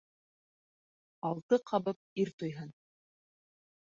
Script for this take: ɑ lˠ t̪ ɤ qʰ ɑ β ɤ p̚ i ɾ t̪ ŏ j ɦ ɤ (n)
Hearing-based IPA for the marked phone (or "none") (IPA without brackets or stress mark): n